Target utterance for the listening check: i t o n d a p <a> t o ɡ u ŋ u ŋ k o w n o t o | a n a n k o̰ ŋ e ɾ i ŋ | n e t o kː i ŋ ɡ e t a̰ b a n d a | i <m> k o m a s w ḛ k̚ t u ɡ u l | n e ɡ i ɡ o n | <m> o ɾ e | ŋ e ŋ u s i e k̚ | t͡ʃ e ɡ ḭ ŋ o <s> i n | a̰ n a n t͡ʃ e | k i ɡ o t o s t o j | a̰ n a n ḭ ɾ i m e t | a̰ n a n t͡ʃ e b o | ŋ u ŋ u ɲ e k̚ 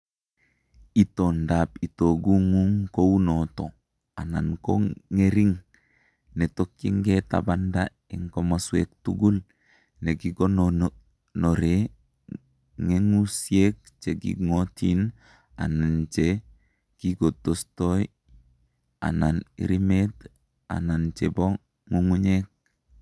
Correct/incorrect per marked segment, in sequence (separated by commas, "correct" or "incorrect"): incorrect, incorrect, incorrect, incorrect